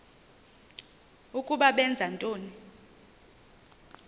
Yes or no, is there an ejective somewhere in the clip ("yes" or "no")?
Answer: yes